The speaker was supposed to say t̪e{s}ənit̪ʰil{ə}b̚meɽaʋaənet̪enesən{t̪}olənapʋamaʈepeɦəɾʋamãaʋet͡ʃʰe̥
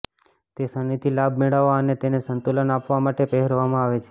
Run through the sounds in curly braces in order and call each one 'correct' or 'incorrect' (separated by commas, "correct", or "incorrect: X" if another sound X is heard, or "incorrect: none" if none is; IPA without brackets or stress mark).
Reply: correct, incorrect: a, correct